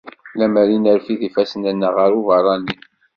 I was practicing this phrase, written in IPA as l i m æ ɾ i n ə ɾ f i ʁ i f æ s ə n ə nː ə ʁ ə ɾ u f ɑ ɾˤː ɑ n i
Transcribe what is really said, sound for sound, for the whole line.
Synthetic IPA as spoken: l æ m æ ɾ i n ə ɾ f i ð i f æ s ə n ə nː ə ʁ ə ɾ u v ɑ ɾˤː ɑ n i

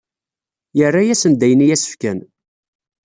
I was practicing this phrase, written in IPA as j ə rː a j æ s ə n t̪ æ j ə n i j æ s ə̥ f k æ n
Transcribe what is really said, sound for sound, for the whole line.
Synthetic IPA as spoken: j ə rː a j æ s ə n d̪ æ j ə n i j æ s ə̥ f k æ n

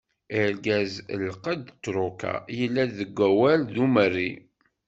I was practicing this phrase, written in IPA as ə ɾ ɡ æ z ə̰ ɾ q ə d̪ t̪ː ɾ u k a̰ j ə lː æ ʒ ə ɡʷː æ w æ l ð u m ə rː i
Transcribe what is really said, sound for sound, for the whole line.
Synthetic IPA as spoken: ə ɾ ɡ æ z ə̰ l q ə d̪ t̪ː ɾ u k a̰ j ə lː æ ð ə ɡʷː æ w æ l ð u m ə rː i

